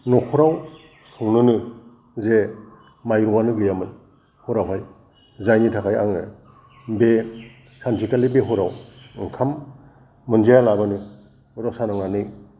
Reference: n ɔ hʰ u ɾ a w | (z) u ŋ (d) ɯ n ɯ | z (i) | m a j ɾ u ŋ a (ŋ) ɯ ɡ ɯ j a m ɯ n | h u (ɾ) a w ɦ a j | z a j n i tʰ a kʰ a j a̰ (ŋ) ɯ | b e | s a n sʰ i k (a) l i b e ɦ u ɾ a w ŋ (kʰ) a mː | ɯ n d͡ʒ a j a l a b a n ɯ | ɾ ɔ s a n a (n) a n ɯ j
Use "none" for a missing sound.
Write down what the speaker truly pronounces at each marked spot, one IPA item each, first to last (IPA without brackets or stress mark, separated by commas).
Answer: s, n, e, n, ɾ, ŋ, a, kʰ, ŋ